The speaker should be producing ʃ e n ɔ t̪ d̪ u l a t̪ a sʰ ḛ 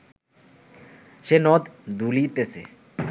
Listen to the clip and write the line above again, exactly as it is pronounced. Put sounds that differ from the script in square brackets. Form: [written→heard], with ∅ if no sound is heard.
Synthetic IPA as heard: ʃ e n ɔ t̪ d̪ u l [a→i] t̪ [a→e] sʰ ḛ